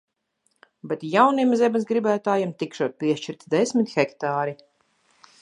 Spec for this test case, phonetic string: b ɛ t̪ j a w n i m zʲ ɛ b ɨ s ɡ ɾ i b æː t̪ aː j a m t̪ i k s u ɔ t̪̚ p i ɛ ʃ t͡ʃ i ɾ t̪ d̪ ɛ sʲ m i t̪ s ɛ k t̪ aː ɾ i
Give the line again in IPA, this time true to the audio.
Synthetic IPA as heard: b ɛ t̪ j a w n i m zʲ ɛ b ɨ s ɡ ɾ i b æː t̪ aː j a m t̪ i k ʃ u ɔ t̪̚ p i ɛ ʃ t͡ʃ i ɾ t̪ d̪ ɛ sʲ m i t̪ x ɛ k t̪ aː ɾ i